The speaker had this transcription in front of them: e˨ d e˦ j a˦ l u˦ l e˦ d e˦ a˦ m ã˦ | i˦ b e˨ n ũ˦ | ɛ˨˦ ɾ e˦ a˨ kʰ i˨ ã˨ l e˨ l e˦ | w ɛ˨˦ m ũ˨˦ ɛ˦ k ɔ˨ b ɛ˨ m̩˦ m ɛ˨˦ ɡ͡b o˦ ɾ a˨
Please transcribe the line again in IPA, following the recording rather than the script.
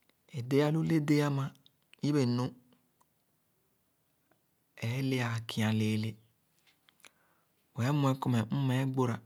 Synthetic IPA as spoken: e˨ d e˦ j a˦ l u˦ l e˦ d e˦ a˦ m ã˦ | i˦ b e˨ n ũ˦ | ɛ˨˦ l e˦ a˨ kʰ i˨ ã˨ l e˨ l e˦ | w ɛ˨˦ m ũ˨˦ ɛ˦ k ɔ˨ m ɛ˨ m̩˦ m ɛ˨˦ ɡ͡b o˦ ɾ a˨